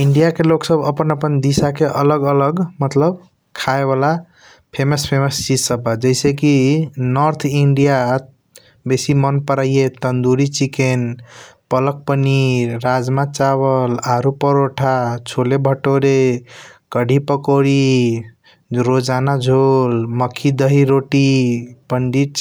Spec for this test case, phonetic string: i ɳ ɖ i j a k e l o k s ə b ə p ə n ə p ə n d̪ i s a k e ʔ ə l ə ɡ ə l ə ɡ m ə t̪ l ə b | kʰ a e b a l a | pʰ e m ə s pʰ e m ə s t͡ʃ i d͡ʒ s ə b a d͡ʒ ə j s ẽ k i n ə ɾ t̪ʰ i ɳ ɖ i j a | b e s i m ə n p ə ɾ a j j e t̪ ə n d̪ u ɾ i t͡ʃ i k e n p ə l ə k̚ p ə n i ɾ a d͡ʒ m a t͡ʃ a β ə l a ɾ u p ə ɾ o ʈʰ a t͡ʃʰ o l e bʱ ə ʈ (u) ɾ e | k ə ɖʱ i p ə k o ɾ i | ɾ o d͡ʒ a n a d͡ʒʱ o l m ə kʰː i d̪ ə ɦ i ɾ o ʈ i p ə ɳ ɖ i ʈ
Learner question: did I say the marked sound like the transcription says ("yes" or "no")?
no